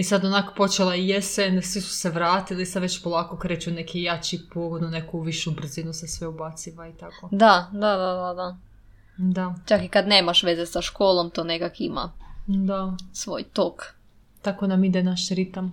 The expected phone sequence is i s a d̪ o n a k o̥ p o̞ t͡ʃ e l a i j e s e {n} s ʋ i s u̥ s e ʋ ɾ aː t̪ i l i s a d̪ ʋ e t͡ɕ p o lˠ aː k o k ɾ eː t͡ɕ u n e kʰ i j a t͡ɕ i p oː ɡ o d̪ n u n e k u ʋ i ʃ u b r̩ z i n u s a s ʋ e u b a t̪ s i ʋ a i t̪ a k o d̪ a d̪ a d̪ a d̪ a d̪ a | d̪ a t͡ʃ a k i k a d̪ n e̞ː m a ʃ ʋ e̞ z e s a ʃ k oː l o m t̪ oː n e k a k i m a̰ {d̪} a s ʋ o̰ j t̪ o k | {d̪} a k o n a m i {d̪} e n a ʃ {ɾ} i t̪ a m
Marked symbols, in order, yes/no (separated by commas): yes, yes, no, yes, yes